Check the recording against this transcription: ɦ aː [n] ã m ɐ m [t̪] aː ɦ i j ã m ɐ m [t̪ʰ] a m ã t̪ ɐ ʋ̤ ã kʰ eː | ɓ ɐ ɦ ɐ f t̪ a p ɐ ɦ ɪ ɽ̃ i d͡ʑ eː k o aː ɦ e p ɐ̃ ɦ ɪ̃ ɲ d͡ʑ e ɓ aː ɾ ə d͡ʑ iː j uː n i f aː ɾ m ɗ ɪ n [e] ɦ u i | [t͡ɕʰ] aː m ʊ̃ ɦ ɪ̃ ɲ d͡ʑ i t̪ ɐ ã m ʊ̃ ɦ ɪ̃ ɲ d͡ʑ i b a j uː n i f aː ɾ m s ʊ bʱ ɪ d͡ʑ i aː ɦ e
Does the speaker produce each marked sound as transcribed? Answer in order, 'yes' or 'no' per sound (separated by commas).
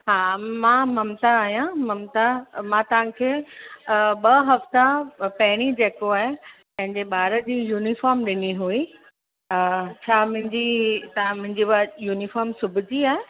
no, yes, no, no, yes